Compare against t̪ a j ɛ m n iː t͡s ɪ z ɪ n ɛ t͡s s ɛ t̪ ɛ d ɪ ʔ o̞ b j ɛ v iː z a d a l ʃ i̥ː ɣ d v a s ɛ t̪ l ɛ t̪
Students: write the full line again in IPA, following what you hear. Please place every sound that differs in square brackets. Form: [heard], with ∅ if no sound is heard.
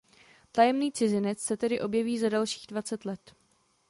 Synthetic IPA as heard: t̪ a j ɛ m n iː t͡s ɪ z ɪ n ɛ t͡s s ɛ t̪ ɛ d ɪ ʔ o̞ b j ɛ v iː z a d a l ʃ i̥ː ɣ d v a [t͡s] ɛ t̪ l ɛ t̪